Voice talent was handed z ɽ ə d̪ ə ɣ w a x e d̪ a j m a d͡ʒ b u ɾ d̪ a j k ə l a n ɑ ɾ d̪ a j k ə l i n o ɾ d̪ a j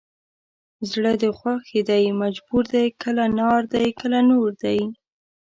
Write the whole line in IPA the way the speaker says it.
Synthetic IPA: z ɽ ə d̪ ə x w a x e d̪ a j m a d͡ʒ b u ɾ d̪ a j k ə l a n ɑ ɾ d̪ a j k ə l a n o ɾ d̪ a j